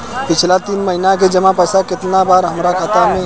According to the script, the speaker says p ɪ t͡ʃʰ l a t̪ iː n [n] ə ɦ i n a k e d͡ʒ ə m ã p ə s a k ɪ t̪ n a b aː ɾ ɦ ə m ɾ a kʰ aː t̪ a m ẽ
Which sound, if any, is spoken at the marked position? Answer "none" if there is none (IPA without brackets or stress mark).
m